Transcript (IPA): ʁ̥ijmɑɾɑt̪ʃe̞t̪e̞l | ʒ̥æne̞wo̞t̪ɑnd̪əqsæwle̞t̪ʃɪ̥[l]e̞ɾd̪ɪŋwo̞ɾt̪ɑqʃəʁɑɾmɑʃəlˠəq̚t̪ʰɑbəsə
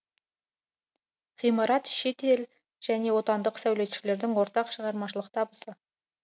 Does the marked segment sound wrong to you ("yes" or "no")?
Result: no